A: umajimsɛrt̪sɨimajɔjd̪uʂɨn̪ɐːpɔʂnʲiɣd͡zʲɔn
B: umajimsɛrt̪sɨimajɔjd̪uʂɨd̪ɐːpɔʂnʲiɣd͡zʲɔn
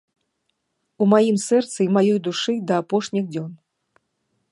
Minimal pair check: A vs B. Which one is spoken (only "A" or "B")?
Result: B